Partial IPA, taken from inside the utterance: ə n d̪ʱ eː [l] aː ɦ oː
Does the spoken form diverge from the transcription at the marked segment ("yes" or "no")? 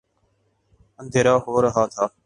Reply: yes